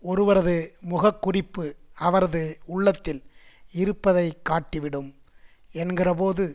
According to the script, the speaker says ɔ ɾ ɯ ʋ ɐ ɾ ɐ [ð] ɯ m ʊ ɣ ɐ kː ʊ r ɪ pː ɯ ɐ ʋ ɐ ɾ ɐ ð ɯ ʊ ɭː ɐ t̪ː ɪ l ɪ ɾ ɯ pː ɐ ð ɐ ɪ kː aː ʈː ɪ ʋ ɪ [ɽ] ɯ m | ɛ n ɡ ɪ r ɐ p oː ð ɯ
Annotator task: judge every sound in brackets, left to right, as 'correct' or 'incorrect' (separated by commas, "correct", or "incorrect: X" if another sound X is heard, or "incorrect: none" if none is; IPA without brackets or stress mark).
correct, correct